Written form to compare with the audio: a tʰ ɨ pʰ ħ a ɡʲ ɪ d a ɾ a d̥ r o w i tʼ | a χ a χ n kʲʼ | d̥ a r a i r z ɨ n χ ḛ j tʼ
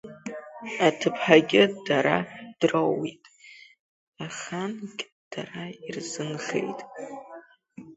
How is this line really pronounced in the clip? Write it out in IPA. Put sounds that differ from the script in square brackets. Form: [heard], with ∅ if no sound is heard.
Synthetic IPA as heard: a tʰ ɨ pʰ ħ a ɡʲ ɪ d a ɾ a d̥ r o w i tʼ | a χ a [∅] n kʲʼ | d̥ a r a i r z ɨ n χ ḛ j tʼ